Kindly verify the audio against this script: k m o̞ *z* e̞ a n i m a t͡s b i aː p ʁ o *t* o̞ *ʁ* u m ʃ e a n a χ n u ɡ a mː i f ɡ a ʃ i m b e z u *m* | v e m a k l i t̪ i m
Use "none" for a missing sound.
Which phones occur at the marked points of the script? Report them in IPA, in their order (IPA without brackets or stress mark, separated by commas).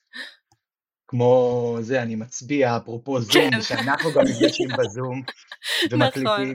z, p, z, m